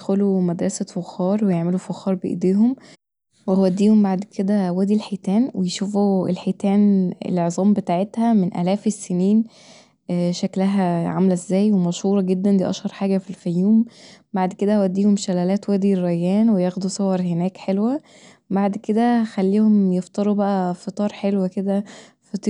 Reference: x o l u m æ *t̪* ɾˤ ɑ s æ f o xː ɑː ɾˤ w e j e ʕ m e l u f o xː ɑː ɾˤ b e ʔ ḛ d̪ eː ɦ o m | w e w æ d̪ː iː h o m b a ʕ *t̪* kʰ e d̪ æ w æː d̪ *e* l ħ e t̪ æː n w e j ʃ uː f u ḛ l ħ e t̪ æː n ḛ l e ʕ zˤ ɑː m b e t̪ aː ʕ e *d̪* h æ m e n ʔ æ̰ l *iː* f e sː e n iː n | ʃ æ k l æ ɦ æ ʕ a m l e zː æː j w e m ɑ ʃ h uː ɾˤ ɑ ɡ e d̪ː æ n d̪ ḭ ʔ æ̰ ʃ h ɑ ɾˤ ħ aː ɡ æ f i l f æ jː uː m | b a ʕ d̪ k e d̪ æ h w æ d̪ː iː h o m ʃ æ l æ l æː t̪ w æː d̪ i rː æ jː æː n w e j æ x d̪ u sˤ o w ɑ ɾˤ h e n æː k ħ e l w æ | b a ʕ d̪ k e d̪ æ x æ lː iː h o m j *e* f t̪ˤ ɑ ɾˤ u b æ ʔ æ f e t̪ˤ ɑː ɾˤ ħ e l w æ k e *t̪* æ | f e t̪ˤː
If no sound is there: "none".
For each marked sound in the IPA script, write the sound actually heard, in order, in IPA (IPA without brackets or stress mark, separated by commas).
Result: d̪, d̪, i, t̪, æː, e, d̪